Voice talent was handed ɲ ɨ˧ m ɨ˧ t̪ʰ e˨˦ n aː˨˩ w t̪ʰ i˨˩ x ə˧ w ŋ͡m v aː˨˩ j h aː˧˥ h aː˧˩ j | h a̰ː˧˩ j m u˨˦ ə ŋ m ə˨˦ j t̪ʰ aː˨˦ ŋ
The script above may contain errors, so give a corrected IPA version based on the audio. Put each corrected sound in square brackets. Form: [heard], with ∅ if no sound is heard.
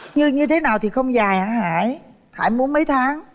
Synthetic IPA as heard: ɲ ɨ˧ [ɲ] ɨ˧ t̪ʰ e˨˦ n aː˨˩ w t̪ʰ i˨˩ x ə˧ w ŋ͡m [z] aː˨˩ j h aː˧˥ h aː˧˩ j | h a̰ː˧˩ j m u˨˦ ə [n] m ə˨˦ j t̪ʰ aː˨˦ ŋ